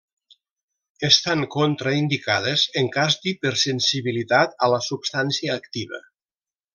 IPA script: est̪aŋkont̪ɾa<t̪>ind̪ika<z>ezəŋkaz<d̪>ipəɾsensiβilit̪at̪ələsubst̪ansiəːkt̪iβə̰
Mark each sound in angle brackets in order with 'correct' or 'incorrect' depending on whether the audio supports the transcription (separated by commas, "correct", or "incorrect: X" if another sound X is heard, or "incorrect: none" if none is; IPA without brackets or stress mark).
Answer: incorrect: none, incorrect: ð, correct